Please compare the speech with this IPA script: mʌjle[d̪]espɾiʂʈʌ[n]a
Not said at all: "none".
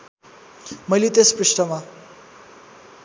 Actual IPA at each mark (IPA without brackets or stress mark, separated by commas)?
t̪, m